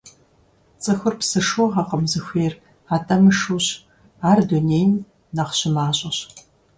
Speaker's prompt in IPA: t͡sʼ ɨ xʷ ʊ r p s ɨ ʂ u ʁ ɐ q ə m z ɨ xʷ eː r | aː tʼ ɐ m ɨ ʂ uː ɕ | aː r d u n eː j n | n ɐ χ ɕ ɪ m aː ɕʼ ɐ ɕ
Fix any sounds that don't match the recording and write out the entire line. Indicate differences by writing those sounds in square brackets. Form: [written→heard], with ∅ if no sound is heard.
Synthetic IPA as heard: t͡sʼ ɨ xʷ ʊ r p s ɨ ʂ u ʁ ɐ q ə m z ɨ xʷ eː r | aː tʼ ɐ m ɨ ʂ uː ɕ | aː r d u n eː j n | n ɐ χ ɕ ɪ m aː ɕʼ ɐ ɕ